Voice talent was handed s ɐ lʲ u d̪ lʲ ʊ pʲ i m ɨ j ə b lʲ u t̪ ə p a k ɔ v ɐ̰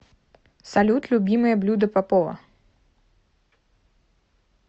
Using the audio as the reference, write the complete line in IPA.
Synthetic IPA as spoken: s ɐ lʲ u t̪ lʲ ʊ bʲ i m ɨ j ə b lʲ u d̪ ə p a p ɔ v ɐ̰